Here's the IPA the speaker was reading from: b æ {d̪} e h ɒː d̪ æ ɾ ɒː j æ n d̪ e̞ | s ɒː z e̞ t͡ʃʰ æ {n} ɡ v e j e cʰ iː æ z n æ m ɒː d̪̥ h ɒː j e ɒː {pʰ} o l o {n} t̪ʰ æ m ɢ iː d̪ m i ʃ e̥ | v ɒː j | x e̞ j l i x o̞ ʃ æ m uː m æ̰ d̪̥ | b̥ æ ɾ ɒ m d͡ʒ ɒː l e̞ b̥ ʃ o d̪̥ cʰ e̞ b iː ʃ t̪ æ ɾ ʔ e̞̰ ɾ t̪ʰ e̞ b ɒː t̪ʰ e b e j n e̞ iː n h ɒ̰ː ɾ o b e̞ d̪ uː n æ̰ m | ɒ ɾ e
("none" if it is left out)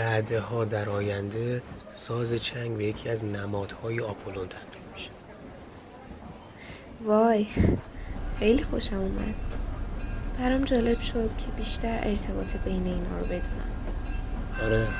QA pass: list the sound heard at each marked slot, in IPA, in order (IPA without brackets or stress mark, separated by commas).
d̪, ŋ, pʰ, n